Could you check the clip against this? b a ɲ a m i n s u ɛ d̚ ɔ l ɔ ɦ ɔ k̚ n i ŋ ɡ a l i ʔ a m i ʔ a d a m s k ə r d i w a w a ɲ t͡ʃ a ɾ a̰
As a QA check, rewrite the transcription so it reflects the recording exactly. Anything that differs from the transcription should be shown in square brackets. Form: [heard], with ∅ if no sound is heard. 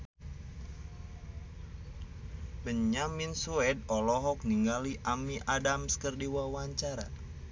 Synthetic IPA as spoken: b [ə] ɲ a m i n s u ɛ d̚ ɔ l ɔ ɦ ɔ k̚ n i ŋ ɡ a l i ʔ a m i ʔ a d a m s k ə r d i w a w a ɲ t͡ʃ a ɾ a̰